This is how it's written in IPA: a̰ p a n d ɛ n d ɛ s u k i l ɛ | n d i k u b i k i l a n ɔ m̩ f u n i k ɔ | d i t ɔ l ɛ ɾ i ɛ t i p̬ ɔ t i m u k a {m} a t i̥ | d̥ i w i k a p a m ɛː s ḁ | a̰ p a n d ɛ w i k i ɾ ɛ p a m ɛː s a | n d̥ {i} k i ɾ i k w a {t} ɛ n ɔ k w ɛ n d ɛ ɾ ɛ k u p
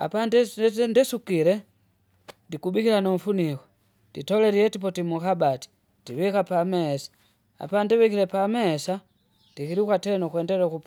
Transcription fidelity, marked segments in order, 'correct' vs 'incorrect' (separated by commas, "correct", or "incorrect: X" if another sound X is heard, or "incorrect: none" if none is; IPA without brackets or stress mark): incorrect: b, correct, correct